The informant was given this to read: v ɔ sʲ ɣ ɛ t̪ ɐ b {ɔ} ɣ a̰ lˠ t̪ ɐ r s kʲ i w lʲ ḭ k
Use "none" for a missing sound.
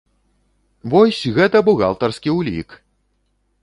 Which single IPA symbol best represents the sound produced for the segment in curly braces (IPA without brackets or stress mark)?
u